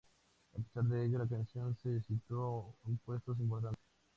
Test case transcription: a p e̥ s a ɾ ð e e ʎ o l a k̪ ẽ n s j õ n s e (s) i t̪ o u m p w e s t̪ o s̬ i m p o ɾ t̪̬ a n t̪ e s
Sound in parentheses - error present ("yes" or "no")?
no